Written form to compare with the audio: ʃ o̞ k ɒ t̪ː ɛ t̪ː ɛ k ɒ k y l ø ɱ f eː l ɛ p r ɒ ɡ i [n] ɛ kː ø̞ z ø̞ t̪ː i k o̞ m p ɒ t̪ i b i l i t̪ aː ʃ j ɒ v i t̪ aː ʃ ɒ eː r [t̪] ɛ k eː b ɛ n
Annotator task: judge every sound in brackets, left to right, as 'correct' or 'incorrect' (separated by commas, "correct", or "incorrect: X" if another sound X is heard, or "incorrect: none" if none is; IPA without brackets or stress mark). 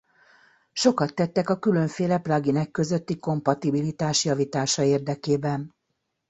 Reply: correct, incorrect: d̪